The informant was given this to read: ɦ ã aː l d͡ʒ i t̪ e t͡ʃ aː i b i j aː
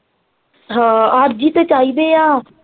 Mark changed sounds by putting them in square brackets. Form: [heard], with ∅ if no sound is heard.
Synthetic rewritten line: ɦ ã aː [ɾ] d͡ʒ i t̪ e t͡ʃ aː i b [e] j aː